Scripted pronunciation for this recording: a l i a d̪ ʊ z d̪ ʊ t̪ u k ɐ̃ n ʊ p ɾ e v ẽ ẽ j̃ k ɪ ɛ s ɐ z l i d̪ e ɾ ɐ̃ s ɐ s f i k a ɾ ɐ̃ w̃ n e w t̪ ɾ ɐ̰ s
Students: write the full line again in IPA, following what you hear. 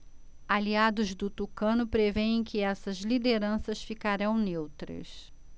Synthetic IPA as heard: a l i a d̪ ʊ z d̪ ʊ t̪ u k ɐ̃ n ʊ p ɾ e v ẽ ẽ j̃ k ɪ ɛ s ɐ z l i d̪ e ɾ ɐ̃ s ɐ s f i k a ɾ ɐ̃ w̃ n e w t̪ ɾ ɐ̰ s